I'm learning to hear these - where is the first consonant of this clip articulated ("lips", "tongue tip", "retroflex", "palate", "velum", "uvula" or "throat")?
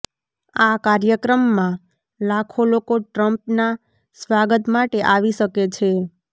velum